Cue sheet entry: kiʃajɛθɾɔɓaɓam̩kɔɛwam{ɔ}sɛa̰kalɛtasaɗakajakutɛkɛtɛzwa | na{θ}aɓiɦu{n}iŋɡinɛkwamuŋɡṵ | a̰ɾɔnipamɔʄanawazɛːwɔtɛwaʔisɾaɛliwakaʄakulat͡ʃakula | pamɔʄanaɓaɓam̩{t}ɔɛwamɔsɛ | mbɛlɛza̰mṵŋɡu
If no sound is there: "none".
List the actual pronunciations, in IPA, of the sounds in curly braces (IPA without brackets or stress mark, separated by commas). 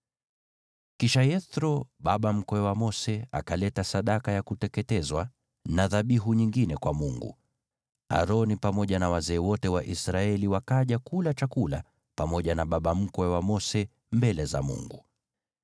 ɔ, ð, ɲ, k